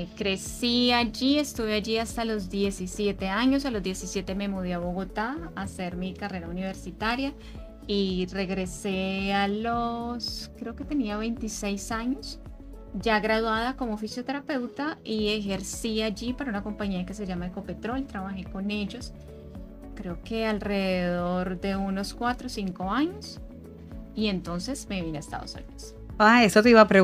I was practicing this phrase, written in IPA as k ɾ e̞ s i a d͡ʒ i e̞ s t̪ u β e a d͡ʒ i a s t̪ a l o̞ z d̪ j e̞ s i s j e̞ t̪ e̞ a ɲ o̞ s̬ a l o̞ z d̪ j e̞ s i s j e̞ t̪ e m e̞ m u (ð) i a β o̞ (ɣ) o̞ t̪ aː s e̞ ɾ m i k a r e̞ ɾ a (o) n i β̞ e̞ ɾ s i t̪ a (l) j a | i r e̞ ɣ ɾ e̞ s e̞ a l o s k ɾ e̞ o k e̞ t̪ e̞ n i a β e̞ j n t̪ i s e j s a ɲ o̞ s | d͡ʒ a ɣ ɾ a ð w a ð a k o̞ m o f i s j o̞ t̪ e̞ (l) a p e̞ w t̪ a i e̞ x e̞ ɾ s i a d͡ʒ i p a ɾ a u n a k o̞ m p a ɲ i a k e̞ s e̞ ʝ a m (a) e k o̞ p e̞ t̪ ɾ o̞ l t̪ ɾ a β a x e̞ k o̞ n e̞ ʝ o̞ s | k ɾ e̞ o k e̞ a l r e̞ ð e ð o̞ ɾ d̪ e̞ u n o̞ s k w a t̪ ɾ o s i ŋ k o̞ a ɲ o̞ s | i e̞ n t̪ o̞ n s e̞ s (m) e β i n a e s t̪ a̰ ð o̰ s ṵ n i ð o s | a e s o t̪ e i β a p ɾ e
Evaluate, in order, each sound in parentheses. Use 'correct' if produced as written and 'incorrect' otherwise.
correct, correct, incorrect: u, incorrect: ɾ, incorrect: ɾ, correct, correct

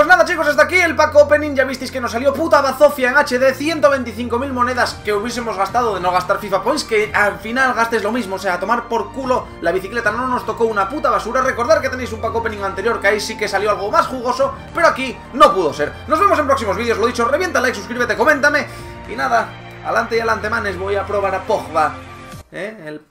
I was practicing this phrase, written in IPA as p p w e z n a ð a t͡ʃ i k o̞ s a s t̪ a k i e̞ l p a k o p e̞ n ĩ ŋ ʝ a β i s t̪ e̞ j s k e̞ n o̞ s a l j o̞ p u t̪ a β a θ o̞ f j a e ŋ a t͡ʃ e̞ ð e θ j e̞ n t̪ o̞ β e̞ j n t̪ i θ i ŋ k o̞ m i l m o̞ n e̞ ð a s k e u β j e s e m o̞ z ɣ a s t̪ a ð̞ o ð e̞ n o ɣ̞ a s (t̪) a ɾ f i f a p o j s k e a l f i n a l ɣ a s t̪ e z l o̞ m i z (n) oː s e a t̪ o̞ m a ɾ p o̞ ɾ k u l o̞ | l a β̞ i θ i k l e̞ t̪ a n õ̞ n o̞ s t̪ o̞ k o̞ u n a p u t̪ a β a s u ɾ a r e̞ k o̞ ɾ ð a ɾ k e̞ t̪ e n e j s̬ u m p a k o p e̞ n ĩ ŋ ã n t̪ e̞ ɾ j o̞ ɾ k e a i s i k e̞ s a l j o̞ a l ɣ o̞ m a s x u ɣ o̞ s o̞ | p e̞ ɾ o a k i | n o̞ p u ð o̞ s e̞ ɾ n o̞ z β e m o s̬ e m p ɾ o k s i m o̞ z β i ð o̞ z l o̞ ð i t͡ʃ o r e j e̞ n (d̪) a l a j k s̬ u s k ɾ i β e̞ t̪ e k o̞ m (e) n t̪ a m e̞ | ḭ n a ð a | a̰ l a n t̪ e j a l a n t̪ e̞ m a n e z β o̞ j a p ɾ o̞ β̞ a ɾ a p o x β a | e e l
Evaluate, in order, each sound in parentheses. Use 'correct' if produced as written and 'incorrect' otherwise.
correct, incorrect: m, incorrect: t̪, incorrect: ẽ

